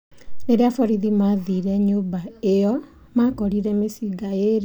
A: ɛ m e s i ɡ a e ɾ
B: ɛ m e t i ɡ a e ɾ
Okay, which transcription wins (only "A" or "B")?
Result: A